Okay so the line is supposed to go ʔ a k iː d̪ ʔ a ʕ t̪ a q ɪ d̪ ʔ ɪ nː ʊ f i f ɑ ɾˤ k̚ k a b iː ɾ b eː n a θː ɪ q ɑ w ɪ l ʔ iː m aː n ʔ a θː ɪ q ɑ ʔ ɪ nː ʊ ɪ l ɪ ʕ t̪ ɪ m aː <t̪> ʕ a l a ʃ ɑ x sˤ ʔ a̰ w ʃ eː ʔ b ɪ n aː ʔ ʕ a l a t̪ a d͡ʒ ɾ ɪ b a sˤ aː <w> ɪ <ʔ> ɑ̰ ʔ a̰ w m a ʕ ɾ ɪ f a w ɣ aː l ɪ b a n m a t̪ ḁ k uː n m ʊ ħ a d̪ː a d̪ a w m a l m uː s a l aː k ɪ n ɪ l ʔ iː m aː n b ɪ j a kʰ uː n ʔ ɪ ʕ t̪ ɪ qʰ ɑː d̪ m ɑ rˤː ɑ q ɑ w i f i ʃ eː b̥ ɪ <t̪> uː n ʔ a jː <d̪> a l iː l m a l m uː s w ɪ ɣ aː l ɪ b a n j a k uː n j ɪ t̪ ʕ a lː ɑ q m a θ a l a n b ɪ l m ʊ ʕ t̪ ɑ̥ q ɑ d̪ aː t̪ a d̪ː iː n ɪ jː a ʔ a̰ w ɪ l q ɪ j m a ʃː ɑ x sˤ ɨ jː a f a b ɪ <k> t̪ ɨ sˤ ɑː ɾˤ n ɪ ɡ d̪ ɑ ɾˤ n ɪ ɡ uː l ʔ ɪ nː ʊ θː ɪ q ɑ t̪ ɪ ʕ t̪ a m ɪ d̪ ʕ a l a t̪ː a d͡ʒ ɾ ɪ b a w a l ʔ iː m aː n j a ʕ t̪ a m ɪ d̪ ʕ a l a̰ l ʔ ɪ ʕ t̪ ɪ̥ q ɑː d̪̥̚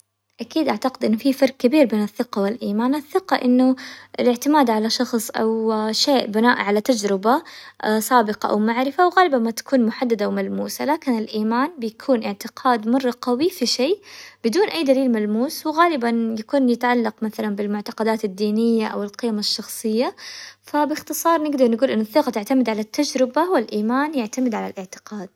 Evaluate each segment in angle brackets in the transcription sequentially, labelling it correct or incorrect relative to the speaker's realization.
incorrect: d̪, incorrect: b, incorrect: q, incorrect: d̪, correct, incorrect: x

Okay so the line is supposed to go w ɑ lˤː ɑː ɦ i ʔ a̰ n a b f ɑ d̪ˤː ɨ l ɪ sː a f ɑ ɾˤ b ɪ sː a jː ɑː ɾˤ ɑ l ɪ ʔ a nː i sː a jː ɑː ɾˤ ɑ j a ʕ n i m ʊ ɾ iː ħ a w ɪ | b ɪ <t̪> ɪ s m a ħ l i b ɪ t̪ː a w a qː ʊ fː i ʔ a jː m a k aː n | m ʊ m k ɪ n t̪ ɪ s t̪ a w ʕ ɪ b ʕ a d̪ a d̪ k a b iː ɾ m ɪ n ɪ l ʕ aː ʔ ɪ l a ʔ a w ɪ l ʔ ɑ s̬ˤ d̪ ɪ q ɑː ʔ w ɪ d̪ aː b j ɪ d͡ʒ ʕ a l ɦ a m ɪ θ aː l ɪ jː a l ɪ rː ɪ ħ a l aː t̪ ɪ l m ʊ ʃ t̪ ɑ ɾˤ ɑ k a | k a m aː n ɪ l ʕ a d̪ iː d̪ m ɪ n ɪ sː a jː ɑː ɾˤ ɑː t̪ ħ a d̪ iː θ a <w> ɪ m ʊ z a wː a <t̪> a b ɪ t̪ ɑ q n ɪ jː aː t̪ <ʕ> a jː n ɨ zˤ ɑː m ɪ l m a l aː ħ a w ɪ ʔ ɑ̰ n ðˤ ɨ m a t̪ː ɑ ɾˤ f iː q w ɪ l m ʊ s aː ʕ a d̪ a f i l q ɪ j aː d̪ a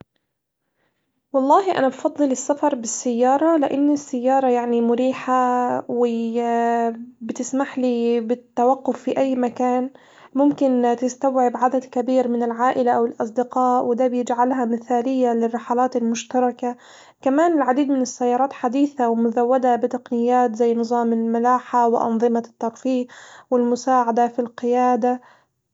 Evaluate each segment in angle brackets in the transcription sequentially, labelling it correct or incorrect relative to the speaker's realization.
correct, correct, incorrect: d̪, incorrect: z

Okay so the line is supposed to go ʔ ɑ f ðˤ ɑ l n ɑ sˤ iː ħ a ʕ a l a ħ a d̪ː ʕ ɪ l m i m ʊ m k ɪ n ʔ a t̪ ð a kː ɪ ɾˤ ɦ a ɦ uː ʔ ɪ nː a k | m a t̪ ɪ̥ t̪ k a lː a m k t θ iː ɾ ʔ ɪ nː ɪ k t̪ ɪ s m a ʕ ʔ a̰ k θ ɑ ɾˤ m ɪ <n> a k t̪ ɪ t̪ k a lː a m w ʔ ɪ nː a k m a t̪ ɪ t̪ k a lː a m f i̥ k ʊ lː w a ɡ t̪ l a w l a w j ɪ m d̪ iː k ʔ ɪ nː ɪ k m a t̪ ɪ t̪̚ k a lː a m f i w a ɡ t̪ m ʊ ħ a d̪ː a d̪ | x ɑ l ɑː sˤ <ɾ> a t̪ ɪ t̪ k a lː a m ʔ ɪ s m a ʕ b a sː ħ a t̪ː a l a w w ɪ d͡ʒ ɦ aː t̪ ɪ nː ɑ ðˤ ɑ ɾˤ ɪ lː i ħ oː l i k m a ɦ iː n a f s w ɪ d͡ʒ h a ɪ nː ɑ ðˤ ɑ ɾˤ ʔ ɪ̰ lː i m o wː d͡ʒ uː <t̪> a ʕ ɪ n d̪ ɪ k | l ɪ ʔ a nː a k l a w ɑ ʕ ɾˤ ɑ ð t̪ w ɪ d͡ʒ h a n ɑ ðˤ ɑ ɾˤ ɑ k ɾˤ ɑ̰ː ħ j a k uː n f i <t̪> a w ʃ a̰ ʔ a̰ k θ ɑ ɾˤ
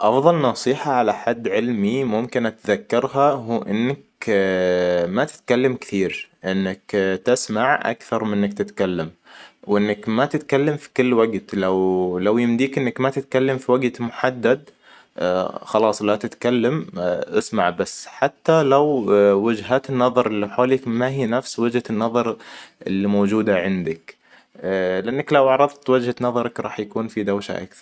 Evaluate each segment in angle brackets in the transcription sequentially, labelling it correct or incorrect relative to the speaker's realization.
incorrect: nː, incorrect: l, incorrect: d̪, incorrect: d̪

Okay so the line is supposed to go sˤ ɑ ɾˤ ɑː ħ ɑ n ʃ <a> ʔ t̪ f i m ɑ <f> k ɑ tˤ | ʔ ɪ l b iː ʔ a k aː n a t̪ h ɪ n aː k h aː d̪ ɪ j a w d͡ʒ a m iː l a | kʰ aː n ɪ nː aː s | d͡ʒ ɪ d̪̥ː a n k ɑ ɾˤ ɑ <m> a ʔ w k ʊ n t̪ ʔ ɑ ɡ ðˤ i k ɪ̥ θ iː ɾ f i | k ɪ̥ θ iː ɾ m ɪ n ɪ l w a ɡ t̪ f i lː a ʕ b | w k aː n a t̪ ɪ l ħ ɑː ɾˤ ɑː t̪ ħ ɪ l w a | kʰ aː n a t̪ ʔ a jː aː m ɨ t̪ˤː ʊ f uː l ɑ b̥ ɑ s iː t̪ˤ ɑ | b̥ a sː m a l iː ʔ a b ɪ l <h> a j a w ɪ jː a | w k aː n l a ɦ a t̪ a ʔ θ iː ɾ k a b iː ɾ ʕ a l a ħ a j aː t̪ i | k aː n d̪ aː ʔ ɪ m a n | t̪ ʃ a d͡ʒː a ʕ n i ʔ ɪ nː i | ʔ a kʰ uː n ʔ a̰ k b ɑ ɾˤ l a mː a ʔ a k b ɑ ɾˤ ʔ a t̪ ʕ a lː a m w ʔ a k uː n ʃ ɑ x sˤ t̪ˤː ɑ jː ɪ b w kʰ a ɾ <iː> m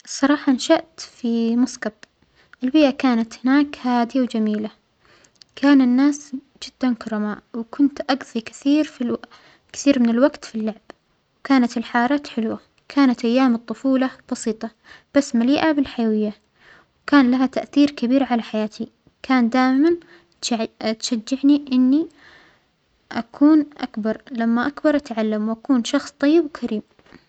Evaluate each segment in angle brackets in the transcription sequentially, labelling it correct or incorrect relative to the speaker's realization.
correct, incorrect: s, correct, incorrect: ħ, correct

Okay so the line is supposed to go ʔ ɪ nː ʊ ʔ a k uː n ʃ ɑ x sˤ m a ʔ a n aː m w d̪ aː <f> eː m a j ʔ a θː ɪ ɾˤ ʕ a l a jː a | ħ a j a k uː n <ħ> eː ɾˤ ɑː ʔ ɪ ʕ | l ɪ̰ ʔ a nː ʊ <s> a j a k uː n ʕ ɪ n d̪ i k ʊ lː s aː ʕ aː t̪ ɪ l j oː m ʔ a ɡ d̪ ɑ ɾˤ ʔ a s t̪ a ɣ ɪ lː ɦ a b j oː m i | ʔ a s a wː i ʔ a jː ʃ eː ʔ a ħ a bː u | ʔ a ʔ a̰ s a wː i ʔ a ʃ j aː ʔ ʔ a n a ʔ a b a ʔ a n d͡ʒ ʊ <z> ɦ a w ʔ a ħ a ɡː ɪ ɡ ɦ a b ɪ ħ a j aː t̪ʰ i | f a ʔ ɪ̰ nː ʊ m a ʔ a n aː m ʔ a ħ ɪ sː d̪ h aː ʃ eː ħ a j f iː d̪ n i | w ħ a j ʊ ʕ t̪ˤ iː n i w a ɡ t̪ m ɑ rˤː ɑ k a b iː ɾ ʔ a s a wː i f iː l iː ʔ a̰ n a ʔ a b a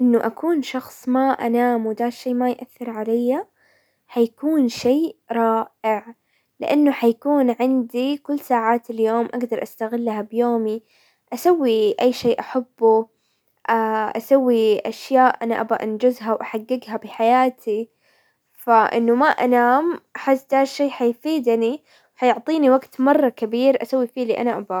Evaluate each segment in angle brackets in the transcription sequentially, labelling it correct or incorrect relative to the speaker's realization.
incorrect: ʃ, incorrect: ʃ, incorrect: ħ, correct

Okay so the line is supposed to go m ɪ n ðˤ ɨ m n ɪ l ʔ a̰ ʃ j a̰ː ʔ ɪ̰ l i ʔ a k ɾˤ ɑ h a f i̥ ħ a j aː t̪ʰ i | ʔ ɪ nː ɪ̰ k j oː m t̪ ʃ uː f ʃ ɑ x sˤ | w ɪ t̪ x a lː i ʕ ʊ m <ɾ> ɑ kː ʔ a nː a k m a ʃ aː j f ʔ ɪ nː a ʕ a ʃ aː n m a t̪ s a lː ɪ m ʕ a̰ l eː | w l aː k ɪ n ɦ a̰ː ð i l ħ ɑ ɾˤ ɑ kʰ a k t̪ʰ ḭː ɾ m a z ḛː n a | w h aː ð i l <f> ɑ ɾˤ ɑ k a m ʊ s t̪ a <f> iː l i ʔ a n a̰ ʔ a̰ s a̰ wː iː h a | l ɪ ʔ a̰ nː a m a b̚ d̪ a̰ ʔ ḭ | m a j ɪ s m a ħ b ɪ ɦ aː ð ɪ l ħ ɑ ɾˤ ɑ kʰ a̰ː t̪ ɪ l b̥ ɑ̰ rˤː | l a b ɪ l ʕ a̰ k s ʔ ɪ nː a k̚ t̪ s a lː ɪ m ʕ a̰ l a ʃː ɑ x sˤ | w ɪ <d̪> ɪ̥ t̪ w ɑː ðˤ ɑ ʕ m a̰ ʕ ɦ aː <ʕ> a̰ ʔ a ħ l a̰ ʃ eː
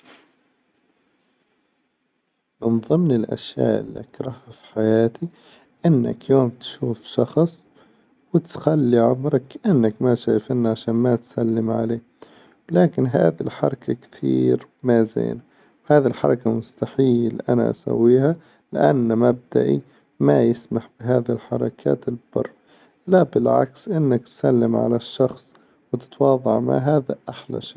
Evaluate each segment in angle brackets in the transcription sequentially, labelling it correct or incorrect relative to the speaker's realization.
correct, incorrect: ħ, incorrect: ħ, incorrect: t̪, incorrect: ð

